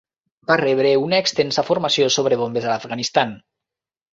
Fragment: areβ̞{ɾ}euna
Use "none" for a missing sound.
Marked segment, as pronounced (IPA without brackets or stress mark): ɾ